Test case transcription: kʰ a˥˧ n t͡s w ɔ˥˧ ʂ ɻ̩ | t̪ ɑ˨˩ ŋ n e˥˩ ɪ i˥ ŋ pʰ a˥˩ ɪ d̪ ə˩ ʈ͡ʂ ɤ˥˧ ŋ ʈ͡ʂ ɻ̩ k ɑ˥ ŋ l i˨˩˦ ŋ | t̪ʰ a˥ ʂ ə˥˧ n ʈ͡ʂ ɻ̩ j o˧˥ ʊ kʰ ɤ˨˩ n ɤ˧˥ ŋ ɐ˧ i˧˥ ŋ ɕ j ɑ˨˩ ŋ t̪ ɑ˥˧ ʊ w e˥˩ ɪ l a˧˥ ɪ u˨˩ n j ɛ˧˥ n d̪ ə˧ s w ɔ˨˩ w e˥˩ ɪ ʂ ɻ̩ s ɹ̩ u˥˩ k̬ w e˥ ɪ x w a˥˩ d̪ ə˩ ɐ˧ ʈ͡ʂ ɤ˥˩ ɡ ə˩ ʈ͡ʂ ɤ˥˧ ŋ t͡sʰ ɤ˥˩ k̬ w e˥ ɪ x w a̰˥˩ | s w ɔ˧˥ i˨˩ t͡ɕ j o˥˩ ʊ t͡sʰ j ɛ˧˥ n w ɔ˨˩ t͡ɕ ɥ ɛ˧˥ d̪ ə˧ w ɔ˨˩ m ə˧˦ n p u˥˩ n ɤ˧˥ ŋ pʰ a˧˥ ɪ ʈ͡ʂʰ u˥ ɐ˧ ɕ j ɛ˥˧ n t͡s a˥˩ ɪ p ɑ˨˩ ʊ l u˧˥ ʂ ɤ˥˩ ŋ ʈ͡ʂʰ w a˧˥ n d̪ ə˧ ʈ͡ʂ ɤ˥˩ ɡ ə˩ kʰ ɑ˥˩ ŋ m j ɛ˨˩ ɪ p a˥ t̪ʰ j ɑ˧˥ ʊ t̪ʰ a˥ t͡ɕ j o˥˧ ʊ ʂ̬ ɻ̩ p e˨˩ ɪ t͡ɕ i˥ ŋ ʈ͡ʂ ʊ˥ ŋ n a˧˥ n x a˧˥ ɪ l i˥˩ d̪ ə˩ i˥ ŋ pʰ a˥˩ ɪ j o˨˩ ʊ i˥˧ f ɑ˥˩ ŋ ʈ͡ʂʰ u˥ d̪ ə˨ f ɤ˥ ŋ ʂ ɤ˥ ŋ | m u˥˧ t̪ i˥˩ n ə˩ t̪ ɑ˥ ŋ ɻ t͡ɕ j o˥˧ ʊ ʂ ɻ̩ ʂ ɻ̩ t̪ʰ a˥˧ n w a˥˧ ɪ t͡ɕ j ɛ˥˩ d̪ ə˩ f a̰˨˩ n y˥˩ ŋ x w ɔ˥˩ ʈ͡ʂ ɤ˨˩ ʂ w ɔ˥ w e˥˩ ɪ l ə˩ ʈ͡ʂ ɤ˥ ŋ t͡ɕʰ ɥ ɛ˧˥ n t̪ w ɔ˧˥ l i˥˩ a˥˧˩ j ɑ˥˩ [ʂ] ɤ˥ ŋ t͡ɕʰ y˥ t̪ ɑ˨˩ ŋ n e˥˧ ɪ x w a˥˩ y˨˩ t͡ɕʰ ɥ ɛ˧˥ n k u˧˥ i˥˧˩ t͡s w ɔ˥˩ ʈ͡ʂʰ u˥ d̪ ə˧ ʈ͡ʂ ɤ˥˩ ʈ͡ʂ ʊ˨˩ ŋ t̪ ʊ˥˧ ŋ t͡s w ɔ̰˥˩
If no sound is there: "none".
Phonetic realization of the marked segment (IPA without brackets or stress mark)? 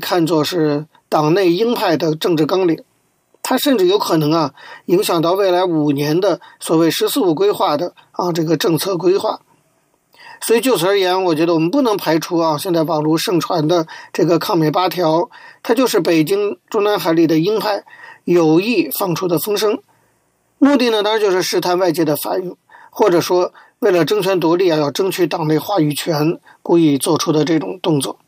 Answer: ʈ͡ʂ